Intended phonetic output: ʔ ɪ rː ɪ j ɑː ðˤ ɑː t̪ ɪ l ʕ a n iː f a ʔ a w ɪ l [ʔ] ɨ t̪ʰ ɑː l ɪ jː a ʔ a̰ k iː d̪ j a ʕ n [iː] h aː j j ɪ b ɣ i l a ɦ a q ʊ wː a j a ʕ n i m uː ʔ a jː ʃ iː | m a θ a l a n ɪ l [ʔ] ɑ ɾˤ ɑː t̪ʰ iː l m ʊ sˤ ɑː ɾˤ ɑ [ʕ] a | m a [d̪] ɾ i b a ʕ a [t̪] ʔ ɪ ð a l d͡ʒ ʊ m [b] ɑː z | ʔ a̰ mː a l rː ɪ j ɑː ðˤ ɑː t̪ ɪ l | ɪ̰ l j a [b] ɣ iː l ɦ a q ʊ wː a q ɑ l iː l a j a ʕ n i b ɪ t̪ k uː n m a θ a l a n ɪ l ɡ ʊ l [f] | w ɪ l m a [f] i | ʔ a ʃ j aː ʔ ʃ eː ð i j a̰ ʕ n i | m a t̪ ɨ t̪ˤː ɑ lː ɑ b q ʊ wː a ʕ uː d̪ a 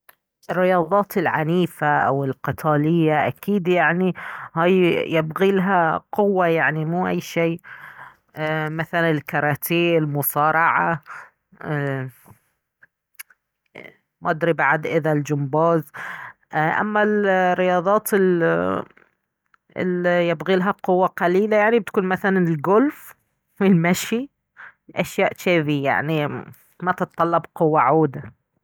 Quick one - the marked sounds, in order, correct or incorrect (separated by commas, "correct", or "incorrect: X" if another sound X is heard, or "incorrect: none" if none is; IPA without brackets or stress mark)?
incorrect: q, incorrect: i, incorrect: k, correct, correct, incorrect: d̪, correct, correct, correct, incorrect: ʃ